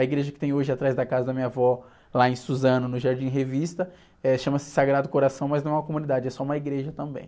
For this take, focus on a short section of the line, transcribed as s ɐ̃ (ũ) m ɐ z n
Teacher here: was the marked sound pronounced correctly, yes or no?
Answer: no